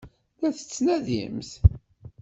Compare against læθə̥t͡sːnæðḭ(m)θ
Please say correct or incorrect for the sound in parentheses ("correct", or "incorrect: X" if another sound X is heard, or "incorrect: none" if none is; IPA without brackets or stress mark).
correct